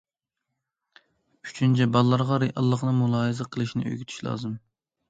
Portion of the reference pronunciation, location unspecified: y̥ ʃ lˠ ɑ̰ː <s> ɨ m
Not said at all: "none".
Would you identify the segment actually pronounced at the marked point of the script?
z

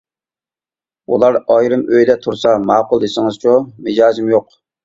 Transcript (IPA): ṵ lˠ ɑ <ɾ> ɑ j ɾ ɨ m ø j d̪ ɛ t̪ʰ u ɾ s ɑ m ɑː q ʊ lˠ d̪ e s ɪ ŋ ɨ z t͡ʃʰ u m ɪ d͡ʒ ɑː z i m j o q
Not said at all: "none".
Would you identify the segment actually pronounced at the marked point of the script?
ɾ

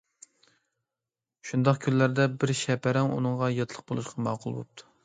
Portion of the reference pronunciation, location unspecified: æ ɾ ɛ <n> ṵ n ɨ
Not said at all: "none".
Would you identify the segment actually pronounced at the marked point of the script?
ŋ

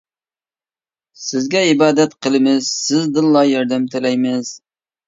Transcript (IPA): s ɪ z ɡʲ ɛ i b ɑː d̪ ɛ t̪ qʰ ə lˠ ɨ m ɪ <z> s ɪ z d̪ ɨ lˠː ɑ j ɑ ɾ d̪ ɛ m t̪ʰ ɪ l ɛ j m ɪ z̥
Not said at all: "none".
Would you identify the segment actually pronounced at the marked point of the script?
z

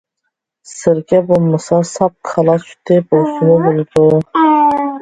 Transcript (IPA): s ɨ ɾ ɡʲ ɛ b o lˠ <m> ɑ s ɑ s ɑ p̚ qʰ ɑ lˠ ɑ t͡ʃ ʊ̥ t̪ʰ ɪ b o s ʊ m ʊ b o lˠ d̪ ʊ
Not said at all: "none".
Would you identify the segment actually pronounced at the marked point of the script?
m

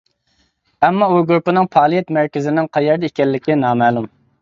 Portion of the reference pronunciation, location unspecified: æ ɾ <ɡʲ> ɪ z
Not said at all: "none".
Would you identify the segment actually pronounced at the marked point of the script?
kʲ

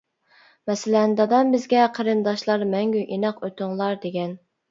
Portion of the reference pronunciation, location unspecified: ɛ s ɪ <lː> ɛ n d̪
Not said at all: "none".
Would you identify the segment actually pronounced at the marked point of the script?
l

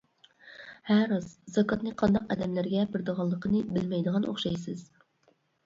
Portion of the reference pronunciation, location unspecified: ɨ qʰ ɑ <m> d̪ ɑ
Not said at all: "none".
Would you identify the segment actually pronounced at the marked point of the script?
n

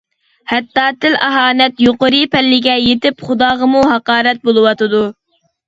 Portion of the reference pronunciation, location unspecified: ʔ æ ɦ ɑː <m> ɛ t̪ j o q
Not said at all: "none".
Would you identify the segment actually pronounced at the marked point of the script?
n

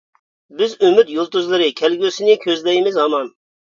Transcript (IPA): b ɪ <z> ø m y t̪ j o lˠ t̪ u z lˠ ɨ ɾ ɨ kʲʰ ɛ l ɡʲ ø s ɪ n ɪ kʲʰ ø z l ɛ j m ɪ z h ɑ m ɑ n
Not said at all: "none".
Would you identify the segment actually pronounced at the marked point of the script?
z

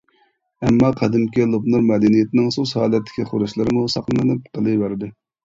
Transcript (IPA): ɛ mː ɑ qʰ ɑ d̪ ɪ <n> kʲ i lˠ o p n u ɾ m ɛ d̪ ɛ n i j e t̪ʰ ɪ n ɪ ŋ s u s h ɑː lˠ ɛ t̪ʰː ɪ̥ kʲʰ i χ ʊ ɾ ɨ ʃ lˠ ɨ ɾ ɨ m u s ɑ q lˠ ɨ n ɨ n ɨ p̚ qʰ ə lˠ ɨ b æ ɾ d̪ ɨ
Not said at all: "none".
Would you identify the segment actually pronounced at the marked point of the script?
m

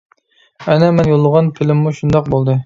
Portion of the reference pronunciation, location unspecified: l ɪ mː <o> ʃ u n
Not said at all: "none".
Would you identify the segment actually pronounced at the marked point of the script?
u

